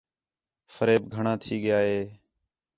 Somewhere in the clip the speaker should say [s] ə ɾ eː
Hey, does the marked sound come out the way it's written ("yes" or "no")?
no